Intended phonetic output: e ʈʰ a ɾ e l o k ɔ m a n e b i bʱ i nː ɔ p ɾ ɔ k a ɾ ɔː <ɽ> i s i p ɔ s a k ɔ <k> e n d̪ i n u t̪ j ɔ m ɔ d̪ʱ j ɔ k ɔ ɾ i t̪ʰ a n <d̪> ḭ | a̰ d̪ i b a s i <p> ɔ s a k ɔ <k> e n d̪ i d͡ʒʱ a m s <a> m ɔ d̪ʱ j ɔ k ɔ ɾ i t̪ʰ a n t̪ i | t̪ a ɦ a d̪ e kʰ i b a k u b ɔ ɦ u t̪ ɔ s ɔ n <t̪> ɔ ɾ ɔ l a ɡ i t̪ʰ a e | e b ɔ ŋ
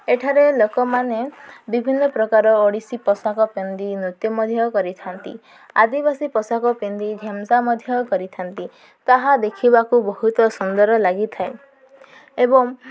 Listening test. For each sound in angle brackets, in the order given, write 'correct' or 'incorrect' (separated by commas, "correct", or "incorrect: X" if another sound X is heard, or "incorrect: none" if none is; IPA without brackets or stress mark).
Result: correct, incorrect: p, incorrect: t̪, correct, incorrect: p, correct, incorrect: d̪